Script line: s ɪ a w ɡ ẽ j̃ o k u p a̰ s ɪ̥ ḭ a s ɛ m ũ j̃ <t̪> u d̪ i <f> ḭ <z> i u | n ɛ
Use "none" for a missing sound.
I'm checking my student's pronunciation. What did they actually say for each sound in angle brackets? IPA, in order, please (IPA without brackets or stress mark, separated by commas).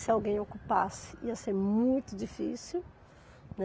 t̪, f, s